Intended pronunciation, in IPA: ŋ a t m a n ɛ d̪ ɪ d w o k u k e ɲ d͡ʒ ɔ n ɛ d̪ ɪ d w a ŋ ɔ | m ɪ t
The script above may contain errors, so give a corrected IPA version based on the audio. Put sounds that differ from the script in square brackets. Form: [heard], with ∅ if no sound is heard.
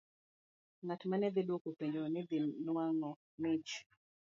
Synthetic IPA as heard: ŋ a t m a n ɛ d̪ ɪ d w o k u [p] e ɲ d͡ʒ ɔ n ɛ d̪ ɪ [n] w a ŋ ɔ | m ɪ [t͡ʃ]